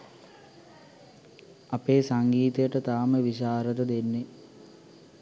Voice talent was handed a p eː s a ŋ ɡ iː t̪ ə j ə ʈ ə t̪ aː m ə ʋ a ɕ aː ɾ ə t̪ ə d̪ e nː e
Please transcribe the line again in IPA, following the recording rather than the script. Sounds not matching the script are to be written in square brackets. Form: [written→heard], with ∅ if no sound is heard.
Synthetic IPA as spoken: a p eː s a ŋ ɡ iː t̪ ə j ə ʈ ə t̪ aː m ə ʋ [a→i] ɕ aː ɾ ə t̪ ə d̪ e nː e

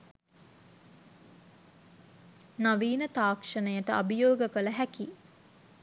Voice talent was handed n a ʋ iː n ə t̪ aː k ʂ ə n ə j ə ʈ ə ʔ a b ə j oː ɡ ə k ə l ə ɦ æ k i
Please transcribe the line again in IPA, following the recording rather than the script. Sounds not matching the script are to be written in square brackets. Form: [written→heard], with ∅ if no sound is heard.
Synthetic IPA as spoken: n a ʋ iː n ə t̪ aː k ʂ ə n ə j ə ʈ ə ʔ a b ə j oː ɡ ə k ə l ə ɦ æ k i

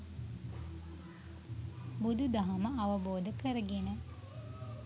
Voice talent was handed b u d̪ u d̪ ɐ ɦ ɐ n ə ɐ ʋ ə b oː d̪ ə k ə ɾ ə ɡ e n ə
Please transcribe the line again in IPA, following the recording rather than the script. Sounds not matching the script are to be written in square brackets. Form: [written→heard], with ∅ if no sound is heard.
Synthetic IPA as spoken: b u d̪ u d̪ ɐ ɦ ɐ [n→m] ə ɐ ʋ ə b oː d̪ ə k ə ɾ ə ɡ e n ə

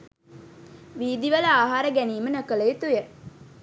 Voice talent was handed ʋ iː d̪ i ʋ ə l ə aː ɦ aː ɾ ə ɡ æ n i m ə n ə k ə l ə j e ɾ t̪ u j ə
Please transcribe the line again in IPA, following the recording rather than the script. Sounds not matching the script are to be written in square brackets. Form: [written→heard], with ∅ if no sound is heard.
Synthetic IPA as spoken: ʋ iː d̪ i ʋ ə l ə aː ɦ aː ɾ ə ɡ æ n [i→iː] m ə n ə k ə l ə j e [ɾ→∅] t̪ u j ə

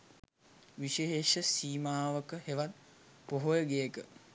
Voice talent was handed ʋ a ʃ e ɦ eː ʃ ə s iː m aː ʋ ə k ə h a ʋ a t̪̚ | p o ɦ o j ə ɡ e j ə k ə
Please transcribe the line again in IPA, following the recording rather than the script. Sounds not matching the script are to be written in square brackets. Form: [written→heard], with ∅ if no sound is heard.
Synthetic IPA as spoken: ʋ [a→i] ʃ e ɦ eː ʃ ə s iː m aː ʋ ə k ə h [a→e] ʋ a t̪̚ | p o ɦ o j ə ɡ e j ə k ə

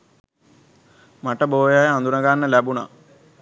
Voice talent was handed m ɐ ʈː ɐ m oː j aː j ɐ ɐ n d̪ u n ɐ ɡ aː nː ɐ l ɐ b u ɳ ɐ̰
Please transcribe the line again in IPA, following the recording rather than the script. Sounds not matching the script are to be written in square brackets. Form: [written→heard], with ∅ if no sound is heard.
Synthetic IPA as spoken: m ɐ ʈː ɐ [m→b] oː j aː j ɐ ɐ n d̪ u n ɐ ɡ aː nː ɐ l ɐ b u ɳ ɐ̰

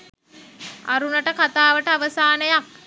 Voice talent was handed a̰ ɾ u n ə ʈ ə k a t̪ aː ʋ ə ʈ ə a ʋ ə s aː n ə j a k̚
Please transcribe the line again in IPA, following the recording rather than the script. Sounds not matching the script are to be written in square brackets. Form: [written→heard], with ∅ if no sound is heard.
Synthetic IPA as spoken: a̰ ɾ u n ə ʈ ə k a t̪ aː ʋ ə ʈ ə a ʋ ə s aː n ə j a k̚

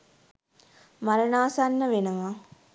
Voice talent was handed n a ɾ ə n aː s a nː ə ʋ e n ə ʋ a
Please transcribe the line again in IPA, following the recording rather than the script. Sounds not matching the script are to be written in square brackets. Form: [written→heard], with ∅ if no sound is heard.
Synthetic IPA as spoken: [n→m] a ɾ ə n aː s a nː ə ʋ e n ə ʋ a

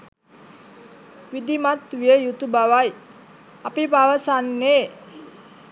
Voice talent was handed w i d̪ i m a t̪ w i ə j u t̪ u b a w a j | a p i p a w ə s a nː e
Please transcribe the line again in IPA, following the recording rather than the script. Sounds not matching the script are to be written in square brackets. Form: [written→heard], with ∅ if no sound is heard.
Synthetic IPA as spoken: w i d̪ i m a t̪ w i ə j u t̪ u b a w a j | a p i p a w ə s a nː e

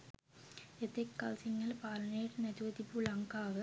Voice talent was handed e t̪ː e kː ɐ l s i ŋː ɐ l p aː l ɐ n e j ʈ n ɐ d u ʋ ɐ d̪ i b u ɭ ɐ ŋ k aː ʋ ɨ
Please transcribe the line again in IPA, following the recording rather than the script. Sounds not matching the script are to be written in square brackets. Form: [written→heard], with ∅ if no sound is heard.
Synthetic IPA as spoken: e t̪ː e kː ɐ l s i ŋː ɐ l p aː l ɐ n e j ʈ n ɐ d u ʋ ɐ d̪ i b u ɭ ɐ ŋ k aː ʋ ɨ

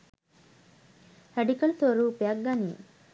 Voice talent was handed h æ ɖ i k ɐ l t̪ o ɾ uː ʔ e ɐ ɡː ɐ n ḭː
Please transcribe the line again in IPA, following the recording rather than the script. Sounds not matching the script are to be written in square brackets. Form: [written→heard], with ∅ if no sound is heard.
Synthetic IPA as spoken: h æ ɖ i k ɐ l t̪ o ɾ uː [ʔ→p] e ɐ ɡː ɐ n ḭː

